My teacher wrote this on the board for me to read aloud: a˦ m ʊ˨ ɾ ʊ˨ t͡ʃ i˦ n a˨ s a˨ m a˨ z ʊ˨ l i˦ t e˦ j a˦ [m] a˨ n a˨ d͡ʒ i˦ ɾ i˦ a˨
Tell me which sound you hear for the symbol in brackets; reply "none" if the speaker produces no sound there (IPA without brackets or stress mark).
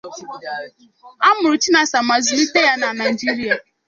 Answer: n